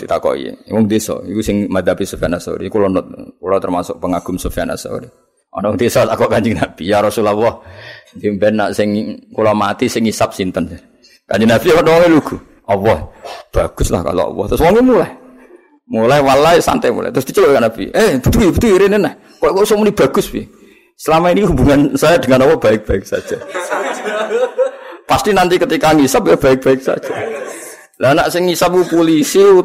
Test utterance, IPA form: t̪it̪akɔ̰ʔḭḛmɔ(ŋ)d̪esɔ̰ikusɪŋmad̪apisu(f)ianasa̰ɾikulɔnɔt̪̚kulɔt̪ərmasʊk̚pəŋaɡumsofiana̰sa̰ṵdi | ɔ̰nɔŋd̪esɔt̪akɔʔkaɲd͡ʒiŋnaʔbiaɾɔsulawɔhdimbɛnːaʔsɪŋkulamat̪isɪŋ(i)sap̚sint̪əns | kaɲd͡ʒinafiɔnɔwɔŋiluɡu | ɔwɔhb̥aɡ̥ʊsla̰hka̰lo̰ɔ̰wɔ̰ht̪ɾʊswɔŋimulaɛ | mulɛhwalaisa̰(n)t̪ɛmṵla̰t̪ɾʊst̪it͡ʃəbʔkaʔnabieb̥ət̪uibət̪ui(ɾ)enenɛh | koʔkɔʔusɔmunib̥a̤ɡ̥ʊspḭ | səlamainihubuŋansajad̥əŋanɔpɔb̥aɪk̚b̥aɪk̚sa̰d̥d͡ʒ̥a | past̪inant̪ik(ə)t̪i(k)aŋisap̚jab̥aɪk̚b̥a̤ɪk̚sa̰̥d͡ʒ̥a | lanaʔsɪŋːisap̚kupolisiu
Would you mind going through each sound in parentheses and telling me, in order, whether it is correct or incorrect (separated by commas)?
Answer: correct, correct, correct, correct, correct, correct, correct